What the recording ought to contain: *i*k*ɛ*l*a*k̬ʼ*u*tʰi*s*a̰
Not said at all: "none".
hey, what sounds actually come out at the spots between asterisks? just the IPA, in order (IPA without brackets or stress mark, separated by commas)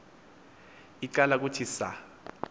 i, a, a, u, s